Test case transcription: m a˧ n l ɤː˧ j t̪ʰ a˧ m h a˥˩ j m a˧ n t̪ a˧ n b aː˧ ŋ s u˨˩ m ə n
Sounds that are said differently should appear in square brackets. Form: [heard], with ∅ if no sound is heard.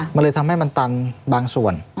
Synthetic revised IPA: m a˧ n l ɤː˧ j t̪ʰ a˧ m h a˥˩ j m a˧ n t̪ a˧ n b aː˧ ŋ s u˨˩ [∅] ə n

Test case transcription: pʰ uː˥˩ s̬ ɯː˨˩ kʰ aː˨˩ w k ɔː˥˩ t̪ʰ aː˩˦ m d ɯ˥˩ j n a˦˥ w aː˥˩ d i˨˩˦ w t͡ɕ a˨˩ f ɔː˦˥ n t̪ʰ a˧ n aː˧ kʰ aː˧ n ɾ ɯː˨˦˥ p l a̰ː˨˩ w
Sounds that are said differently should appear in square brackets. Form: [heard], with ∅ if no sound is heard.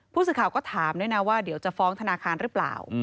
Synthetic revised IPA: pʰ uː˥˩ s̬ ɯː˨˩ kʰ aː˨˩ w k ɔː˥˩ t̪ʰ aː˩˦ m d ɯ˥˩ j n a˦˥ w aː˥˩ d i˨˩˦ w t͡ɕ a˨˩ f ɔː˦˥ [ŋ] t̪ʰ a˧ n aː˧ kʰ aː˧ n ɾ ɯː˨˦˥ p l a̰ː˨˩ w

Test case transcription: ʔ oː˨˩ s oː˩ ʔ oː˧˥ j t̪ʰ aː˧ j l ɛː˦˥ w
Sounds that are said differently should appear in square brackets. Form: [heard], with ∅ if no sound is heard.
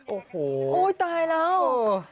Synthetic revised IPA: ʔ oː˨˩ [h] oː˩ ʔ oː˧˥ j [t̪] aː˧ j l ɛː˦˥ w

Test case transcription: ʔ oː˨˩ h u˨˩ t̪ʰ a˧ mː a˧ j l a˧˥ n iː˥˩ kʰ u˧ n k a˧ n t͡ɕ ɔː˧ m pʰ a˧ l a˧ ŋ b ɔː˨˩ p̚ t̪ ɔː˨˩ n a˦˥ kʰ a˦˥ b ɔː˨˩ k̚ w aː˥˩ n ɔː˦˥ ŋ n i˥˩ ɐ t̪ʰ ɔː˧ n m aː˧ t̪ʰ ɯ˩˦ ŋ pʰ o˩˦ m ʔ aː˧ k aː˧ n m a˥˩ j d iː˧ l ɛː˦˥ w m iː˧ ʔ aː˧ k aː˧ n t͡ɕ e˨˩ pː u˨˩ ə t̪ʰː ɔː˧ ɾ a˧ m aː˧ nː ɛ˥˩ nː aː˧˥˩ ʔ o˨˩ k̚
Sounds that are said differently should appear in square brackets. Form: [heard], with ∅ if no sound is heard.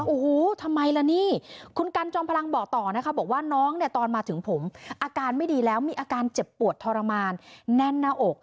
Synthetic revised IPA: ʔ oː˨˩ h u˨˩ t̪ʰ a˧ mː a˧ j l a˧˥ n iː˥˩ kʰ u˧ n k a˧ n t͡ɕ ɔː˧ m pʰ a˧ l a˧ ŋ b ɔː˨˩ [k̚] t̪ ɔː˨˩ n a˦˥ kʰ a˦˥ b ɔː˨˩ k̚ w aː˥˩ n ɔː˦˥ ŋ n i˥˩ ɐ [t̪] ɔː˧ n m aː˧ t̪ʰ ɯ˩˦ ŋ pʰ o˩˦ m ʔ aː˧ k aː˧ n m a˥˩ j d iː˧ l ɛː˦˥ w m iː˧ ʔ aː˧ k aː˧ n t͡ɕ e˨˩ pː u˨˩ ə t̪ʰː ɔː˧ ɾ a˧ m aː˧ nː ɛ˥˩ nː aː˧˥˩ ʔ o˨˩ k̚

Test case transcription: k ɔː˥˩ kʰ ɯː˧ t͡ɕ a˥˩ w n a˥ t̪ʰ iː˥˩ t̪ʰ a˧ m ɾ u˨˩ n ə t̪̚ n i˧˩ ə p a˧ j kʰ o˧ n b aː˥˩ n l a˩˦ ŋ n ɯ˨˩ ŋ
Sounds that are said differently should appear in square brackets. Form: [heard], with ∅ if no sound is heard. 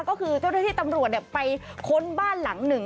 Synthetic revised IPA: k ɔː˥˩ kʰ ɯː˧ t͡ɕ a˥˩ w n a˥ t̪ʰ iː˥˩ [t̪] a˧ m ɾ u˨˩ [∅] ə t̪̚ n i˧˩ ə p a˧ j kʰ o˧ n b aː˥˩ n l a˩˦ ŋ n ɯ˨˩ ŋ

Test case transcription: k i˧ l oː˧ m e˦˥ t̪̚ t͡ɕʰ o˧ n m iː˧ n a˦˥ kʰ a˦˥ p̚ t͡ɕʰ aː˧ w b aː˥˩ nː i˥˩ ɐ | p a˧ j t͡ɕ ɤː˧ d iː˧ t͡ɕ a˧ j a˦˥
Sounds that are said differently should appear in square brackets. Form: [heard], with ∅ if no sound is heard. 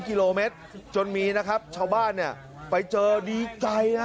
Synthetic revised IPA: k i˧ l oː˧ m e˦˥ t̪̚ [t͡ɕ] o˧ n m iː˧ n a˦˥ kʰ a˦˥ p̚ t͡ɕʰ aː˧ w b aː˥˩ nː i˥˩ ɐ | p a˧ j t͡ɕ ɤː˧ d iː˧ t͡ɕ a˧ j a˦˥

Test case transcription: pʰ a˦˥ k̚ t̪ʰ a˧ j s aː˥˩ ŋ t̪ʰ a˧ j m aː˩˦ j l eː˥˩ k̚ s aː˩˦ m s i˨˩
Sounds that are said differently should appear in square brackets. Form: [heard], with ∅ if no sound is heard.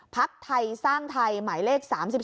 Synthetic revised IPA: pʰ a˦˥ k̚ t̪ʰ a˧ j s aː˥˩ ŋ t̪ʰ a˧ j m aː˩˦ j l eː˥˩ k̚ s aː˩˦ m s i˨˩

